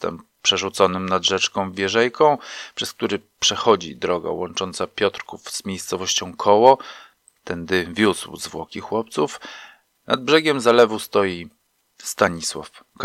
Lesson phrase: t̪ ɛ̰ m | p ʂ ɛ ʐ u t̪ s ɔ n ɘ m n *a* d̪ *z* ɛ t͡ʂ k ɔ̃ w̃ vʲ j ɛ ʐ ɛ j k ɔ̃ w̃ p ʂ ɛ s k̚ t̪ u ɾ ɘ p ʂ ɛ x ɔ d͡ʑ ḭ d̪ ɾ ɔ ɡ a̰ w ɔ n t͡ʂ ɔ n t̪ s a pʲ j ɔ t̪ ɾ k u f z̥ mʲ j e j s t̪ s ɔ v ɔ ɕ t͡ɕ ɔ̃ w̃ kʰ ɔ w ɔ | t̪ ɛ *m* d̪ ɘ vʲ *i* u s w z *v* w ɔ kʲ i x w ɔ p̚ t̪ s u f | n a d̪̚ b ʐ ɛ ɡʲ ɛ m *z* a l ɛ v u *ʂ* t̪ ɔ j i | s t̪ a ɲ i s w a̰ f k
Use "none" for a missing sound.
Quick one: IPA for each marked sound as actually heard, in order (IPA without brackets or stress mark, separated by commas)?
a, ʐ, n, j, v, z, s